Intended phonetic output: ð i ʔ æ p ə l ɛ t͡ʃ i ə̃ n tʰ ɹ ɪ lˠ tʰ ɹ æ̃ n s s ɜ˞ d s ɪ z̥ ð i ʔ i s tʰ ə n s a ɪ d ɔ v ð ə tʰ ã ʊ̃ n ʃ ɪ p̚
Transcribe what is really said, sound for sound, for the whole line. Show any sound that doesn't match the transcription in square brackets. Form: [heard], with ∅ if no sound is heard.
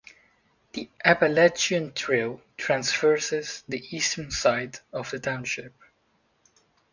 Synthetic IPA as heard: ð i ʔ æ p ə l ɛ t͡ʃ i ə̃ n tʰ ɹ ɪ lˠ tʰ ɹ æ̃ n s [f] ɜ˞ [∅] s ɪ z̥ ð i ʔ i s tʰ ə n s a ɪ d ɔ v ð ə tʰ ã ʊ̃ n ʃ ɪ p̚